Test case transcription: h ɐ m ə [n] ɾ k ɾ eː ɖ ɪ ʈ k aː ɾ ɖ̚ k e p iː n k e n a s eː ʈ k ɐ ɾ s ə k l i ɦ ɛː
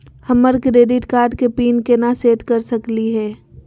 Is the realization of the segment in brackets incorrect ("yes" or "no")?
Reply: yes